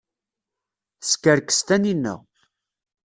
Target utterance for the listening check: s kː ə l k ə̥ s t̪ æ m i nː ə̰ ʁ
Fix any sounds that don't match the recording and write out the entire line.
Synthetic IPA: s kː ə ɾ k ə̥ s t̪ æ n i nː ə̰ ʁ